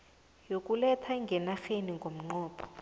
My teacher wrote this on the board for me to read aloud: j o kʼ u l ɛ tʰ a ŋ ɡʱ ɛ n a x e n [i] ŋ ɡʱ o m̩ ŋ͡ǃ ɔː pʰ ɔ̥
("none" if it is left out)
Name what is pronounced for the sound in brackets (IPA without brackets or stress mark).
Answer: i